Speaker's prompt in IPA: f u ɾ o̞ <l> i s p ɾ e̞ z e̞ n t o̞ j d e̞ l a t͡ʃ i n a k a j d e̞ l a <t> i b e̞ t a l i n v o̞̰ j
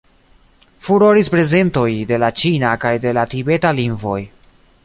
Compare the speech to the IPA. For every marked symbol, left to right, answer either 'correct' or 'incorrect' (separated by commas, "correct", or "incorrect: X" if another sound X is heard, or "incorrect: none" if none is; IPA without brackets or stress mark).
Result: incorrect: ɾ, correct